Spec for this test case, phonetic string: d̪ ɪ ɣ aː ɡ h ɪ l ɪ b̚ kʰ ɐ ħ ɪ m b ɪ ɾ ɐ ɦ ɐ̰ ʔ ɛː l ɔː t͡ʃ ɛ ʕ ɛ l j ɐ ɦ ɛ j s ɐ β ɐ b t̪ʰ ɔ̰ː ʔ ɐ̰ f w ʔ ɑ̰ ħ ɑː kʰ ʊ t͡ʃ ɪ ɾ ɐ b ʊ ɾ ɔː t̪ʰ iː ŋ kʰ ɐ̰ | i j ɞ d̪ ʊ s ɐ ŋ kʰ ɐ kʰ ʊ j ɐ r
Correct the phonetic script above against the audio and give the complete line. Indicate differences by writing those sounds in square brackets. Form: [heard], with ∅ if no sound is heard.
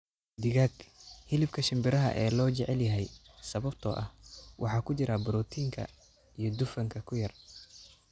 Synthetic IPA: d̪ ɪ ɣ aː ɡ h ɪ l ɪ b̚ kʰ ɐ [ʃ] ɪ m b ɪ ɾ ɐ ɦ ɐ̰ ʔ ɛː l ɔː t͡ʃ ɛ ʕ ɛ l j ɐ ɦ ɛ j s ɐ β ɐ b t̪ʰ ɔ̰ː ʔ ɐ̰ [h] w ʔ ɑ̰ ħ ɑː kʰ ʊ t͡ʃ ɪ ɾ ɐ b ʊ ɾ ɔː t̪ʰ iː ŋ kʰ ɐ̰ | i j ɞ d̪ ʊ [f] ɐ ŋ kʰ ɐ kʰ ʊ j ɐ r